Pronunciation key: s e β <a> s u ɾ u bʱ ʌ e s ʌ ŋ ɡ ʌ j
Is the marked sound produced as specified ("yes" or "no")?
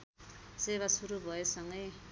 yes